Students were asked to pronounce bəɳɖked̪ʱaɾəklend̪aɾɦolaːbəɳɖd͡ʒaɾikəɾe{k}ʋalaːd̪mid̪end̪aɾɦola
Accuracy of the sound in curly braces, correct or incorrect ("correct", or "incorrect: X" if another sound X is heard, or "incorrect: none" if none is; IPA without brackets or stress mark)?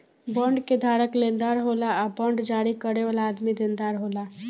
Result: incorrect: none